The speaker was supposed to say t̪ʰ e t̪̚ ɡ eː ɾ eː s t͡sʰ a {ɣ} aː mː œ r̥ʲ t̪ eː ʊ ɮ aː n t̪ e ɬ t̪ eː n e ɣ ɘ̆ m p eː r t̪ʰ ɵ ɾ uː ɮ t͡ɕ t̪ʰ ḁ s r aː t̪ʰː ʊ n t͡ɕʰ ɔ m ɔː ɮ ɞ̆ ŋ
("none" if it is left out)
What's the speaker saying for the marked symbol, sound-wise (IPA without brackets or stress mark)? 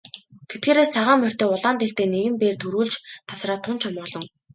ʁ